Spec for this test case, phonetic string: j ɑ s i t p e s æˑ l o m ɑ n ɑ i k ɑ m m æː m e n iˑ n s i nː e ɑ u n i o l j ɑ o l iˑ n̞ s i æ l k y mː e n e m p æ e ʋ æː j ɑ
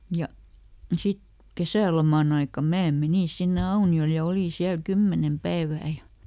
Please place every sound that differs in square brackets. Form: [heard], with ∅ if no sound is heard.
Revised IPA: j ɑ s i t [k] e s æˑ l o m ɑ n ɑ i k ɑ m m æː m e n iˑ n s i nː e ɑ u n i o l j ɑ o l iˑ n̞ s i æ l k y mː e n e m p æ e ʋ æː j ɑ